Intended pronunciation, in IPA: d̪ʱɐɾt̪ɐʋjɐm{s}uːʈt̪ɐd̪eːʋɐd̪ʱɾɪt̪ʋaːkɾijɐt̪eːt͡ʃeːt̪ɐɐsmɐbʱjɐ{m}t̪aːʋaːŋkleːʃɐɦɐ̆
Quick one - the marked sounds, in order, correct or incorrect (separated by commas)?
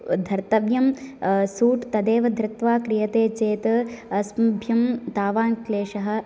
correct, correct